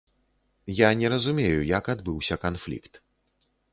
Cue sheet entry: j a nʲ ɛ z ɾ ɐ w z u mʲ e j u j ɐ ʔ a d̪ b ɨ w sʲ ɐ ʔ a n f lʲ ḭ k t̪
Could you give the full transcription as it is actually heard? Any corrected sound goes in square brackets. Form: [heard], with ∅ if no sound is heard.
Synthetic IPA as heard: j a nʲ ɛ [∅] ɾ ɐ [∅] z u mʲ e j u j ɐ [k] a d̪ b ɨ w sʲ ɐ [k] a n f lʲ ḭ k t̪